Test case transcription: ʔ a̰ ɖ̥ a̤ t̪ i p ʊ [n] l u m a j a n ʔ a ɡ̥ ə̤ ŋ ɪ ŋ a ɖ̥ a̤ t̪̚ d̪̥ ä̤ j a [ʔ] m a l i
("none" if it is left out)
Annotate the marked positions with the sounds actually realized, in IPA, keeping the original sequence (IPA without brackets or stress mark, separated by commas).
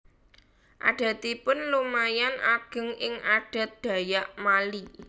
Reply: n, ʔ